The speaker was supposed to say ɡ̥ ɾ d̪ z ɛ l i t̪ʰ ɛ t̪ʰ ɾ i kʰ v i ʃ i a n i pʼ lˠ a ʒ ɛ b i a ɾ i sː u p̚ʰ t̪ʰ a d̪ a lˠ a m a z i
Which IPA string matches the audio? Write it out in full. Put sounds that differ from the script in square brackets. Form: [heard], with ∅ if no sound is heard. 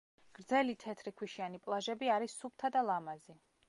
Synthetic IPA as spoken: ɡ̥ ɾ d̪ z ɛ l i t̪ʰ ɛ t̪ʰ ɾ i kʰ [w] i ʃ i a n i pʼ lˠ a ʒ ɛ b i a ɾ i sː u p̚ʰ t̪ʰ a d̪ a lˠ a m a z i